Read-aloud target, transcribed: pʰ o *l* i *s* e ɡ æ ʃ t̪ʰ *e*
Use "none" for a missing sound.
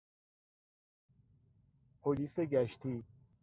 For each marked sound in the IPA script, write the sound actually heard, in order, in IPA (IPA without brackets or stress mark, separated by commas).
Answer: l, s, i